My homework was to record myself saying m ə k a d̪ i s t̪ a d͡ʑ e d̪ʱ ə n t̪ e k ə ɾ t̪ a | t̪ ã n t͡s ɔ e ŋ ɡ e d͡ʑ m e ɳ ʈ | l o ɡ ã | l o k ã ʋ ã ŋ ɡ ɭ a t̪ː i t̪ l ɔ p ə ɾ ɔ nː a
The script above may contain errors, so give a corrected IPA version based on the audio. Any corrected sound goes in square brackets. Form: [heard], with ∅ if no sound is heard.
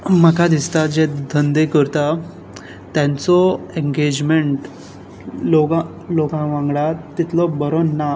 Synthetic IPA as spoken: m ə k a d̪ i s t̪ a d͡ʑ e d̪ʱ ə n [d̪] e k ə ɾ t̪ a | t̪ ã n t͡s ɔ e ŋ ɡ e d͡ʑ m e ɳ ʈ | l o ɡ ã | l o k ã ʋ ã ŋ ɡ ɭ a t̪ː i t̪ l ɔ [b] ə ɾ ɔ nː a